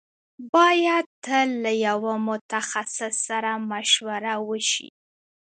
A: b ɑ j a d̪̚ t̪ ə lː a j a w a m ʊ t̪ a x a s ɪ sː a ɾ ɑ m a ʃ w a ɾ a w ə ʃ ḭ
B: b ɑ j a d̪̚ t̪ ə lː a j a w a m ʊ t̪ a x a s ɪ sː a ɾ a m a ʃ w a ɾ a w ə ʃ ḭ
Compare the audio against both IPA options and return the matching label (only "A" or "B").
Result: B